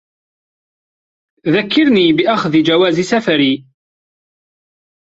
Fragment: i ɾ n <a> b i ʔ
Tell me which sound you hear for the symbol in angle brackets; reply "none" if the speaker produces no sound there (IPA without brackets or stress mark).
i